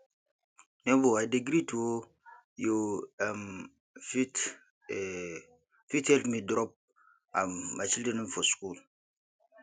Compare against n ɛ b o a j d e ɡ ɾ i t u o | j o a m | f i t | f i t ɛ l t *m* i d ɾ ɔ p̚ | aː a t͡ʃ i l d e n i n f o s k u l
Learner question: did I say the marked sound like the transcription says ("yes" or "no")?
yes